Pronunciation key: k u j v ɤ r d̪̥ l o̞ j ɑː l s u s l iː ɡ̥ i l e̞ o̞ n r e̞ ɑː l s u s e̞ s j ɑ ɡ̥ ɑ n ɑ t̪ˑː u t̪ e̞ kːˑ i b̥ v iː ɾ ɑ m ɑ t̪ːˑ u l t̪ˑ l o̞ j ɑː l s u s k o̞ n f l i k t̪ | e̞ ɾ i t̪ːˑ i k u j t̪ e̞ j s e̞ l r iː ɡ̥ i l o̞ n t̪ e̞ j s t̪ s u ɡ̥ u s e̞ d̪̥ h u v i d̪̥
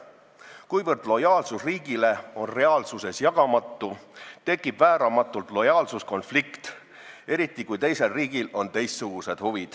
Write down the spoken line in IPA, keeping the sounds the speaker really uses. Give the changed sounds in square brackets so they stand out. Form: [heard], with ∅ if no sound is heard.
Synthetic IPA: k u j v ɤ r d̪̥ l o̞ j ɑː l s u s [r] iː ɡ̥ i l e̞ o̞ n r e̞ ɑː l s u s e̞ s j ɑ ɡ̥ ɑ [m] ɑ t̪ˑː u t̪ e̞ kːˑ i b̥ v [æː] ɾ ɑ m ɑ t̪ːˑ u l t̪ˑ l o̞ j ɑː l s u s k o̞ n f l i k t̪ | e̞ ɾ i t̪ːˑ i k u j t̪ e̞ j s e̞ l r iː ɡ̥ i l o̞ n t̪ e̞ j s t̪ s u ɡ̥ u s e̞ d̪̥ h u v i d̪̥